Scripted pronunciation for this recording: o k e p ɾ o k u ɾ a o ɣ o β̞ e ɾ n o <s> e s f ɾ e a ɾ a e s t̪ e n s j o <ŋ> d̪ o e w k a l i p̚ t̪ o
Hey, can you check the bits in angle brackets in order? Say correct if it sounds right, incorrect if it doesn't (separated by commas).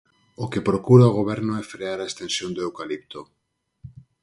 incorrect, incorrect